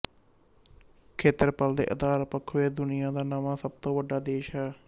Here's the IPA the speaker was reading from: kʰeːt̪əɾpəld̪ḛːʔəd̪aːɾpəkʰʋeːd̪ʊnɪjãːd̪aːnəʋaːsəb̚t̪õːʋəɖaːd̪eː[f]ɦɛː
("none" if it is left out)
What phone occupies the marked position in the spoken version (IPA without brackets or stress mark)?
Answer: ʃ